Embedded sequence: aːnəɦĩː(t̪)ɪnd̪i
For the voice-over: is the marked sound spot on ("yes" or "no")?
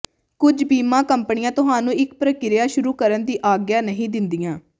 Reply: no